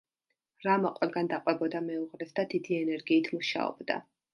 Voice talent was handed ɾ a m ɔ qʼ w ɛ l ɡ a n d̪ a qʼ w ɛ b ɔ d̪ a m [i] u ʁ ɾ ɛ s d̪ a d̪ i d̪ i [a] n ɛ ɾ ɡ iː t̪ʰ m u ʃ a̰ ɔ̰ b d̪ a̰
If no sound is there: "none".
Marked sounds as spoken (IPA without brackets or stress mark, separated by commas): ɛ, ɛ